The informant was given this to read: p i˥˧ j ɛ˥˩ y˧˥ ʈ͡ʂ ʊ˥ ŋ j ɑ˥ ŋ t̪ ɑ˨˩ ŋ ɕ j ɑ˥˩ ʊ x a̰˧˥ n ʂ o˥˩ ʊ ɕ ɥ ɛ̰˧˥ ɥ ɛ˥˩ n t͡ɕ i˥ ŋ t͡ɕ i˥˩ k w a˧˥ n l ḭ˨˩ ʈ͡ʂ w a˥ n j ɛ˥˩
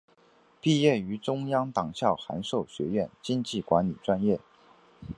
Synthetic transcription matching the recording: p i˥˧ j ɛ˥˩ y˧˥ ʈ͡ʂ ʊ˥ ŋ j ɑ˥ ŋ t̪ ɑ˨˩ ŋ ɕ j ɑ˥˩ ʊ x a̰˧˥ n ʂ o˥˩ ʊ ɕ ɥ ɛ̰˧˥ ɥ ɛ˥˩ n t͡ɕ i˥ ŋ t͡ɕ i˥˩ k w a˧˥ n l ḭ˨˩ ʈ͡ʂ w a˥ n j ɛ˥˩